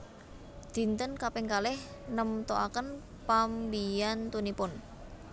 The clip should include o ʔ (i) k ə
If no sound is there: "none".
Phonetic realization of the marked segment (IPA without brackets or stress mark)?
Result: a